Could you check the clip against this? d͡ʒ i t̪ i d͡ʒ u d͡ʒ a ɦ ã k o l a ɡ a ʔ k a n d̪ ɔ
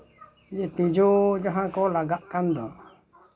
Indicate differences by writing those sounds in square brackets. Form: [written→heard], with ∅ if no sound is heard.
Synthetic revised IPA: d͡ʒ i t̪ i d͡ʒ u d͡ʒ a ɦ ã k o l a ɡ a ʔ k a n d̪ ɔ